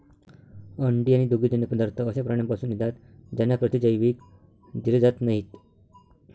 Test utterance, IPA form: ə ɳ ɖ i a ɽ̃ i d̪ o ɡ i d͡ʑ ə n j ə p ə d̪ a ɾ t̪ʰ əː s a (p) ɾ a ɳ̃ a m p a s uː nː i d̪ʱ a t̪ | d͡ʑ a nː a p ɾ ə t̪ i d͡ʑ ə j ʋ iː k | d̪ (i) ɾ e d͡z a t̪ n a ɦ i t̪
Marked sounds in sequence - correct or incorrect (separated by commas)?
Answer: correct, correct